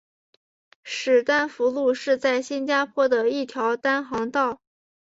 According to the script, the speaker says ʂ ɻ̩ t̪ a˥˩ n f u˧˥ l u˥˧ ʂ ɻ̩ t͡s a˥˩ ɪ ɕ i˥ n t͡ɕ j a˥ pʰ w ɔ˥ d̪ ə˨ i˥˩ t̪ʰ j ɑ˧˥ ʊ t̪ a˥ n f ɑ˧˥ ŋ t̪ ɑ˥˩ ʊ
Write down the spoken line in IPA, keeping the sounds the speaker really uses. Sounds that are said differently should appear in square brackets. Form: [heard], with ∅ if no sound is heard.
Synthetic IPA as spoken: ʂ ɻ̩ t̪ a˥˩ n f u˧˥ l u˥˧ ʂ ɻ̩ t͡s a˥˩ ɪ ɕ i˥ n t͡ɕ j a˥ pʰ w ɔ˥ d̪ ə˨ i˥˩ t̪ʰ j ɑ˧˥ ʊ t̪ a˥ n [x] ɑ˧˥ ŋ t̪ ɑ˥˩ ʊ